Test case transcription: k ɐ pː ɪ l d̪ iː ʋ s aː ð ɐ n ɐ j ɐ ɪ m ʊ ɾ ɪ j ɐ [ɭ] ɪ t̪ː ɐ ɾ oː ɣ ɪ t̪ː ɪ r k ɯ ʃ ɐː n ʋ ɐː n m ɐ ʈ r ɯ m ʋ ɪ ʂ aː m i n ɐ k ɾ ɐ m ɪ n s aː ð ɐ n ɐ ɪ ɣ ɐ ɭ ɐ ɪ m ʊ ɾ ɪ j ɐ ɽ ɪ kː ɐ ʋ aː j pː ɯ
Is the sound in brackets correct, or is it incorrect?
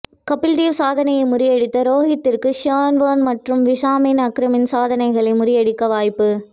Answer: incorrect